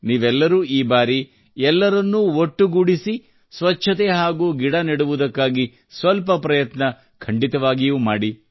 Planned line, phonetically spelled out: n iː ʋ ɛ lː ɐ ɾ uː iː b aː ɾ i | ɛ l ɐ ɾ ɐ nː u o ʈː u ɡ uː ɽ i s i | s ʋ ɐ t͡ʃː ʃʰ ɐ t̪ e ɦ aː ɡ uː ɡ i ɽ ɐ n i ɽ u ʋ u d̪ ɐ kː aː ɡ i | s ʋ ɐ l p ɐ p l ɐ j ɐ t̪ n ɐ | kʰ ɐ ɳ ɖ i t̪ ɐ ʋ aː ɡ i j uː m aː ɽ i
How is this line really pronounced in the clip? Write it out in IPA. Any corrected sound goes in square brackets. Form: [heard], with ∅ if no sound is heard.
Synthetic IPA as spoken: n iː ʋ ɛ lː ɐ ɾ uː iː b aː ɾ i | ɛ [lː] ɐ ɾ ɐ nː u o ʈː u ɡ [u] ɽ i s i | s ʋ ɐ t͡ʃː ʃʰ ɐ t̪ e ɦ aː ɡ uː ɡ i ɽ ɐ n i ɽ u ʋ u d̪ ɐ kː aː ɡ i | s ʋ ɐ l p ɐ p [ɾ] ɐ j ɐ t̪ n ɐ | kʰ ɐ ɳ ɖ i t̪ ɐ ʋ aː ɡ i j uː m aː ɽ i